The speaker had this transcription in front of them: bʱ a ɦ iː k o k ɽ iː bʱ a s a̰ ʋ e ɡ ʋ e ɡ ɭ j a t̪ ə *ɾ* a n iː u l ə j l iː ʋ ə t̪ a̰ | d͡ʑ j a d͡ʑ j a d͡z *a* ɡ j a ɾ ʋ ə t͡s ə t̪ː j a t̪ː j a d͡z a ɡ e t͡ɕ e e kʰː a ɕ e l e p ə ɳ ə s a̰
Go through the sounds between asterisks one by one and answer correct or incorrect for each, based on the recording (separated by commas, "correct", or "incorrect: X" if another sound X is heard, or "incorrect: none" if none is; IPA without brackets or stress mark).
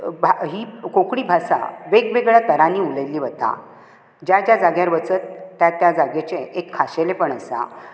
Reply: correct, correct